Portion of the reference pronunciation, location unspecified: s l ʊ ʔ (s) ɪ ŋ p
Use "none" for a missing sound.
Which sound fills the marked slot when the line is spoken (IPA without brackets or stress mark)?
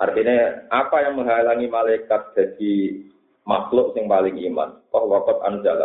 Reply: s